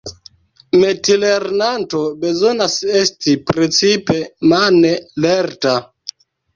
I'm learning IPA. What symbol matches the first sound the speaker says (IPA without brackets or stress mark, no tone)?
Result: m